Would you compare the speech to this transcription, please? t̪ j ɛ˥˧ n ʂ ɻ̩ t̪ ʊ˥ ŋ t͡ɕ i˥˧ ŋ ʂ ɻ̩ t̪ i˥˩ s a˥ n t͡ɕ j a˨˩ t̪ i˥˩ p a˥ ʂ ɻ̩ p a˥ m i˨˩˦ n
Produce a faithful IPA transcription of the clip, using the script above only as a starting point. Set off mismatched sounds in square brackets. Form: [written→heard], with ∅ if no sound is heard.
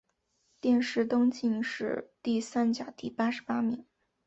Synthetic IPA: t̪ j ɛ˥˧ n ʂ ɻ̩ t̪ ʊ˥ ŋ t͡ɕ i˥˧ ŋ ʂ ɻ̩ t̪ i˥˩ s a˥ n t͡ɕ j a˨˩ t̪ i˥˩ p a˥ ʂ ɻ̩ p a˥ m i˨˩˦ [n→ŋ]